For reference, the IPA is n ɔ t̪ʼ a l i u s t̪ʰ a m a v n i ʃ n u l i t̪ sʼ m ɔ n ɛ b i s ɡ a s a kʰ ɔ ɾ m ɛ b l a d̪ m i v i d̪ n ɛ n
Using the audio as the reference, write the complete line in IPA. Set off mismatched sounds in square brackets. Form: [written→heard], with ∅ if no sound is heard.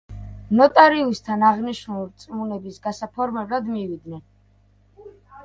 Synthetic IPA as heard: n ɔ t̪ʼ a [l→ɾ] i u s t̪ʰ a [m→n] a [v→ʁ] n i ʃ n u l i t̪ sʼ m [ɔ→u] n ɛ b i s ɡ a s a [kʰ→pʰ] ɔ ɾ m ɛ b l a d̪ m i v i d̪ n ɛ n